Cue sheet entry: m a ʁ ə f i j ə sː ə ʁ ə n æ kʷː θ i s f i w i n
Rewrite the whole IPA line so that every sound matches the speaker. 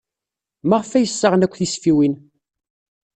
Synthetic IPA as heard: m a ʁ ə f æ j ə sː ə ʁ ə n æ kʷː θ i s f i w i n